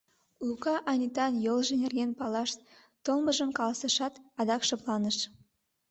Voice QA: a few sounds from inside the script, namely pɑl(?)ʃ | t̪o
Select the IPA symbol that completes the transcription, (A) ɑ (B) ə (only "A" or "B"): A